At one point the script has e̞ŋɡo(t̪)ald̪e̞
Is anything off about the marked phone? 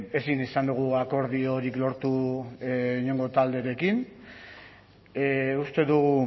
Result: no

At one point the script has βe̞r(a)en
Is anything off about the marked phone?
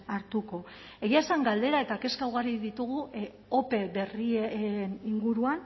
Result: yes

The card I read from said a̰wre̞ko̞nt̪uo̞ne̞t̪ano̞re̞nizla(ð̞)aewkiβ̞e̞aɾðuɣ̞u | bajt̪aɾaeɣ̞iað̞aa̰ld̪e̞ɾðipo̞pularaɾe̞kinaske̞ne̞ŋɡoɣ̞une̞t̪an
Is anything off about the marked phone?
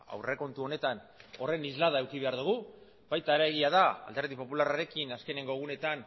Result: no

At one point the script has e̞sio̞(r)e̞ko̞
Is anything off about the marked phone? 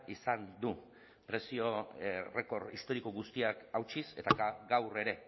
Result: no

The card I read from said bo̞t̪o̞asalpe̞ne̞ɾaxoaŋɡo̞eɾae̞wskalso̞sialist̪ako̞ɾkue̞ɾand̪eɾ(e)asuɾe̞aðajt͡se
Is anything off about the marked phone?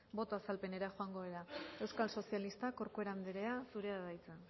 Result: no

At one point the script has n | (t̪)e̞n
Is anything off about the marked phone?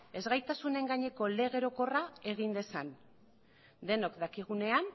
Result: yes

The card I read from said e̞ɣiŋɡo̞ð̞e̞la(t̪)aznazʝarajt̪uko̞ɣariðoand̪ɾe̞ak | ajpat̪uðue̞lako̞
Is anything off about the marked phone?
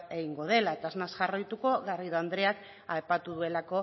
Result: no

